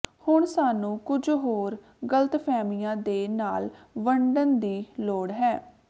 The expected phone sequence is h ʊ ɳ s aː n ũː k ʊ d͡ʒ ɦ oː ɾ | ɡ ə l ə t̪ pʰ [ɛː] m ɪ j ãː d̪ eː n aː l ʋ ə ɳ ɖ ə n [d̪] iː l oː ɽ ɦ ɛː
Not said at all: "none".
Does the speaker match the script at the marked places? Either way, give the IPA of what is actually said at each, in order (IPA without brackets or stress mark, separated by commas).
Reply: ɛː, d̪